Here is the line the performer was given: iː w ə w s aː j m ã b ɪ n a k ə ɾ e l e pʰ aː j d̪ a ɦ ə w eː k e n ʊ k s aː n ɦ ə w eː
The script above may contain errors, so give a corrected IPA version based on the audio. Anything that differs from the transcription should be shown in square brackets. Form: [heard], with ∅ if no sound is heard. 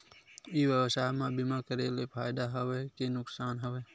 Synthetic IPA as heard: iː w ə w s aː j m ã b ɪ [m] a k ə ɾ e l e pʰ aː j d̪ a ɦ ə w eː k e n ʊ k s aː n ɦ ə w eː